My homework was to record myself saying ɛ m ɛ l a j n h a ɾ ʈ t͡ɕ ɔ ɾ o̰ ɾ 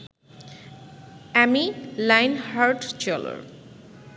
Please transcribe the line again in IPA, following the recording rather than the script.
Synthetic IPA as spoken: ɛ m i l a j n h a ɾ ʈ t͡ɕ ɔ l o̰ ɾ